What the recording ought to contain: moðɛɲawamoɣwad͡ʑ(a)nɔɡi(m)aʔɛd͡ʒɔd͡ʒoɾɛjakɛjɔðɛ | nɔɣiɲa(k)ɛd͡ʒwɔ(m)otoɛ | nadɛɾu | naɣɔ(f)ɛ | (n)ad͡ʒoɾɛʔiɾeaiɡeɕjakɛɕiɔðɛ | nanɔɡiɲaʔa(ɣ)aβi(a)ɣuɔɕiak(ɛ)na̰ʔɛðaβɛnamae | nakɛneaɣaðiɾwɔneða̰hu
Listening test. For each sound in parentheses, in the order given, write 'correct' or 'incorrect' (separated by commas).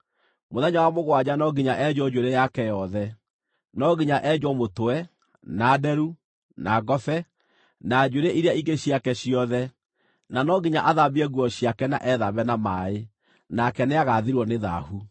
correct, incorrect, incorrect, correct, correct, correct, incorrect, incorrect, correct